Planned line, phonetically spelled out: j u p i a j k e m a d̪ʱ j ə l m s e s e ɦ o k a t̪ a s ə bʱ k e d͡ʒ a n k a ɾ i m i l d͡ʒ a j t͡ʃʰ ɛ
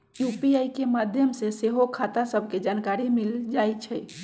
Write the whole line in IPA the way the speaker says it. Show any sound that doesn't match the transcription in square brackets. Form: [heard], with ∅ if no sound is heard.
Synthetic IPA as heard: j u p i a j k e m a d̪ʱ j ə [∅] m s e s e ɦ o [kʰ] a t̪ a s ə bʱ k e d͡ʒ a n k a ɾ i m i l d͡ʒ a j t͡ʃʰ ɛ